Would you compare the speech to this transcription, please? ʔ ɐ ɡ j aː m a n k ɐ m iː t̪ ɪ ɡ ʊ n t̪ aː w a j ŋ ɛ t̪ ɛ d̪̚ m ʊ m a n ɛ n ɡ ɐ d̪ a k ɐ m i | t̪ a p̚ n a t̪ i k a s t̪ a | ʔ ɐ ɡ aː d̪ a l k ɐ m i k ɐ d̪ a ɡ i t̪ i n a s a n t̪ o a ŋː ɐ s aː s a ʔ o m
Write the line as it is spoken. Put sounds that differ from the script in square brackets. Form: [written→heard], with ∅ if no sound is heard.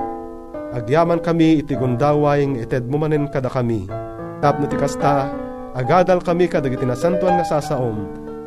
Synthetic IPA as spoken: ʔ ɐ ɡ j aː m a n k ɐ m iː t̪ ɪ ɡ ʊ n [t̪→d̪] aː w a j ŋ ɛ t̪ ɛ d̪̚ m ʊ m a n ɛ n [ɡ→k] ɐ d̪ a k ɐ m i | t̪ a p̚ n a t̪ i k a s t̪ a | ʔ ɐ ɡ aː d̪ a l k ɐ m i k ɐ d̪ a ɡ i t̪ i n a s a n t̪ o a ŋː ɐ s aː s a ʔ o m